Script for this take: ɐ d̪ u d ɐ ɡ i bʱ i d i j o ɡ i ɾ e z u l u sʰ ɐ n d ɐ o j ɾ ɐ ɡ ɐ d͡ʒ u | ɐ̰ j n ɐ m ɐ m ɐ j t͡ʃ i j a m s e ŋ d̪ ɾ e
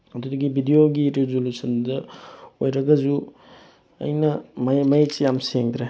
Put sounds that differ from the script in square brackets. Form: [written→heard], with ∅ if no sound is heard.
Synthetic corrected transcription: ɐ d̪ u d ɐ ɡ i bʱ i d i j o ɡ i ɾ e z [u→o] l u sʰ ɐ n d ɐ o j ɾ ɐ ɡ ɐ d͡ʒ u | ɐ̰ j n ɐ m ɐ m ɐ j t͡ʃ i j a m s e ŋ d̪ ɾ e